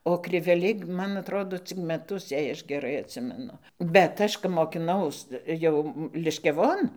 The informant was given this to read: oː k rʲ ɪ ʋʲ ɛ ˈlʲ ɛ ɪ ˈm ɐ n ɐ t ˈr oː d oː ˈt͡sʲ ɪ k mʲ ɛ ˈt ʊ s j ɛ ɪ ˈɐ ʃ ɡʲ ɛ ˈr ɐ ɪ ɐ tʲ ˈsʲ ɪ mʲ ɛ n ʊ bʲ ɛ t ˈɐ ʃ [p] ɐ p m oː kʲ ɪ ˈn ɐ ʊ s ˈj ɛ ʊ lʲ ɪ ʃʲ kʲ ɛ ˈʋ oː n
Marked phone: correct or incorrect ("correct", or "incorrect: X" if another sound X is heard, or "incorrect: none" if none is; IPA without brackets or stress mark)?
incorrect: k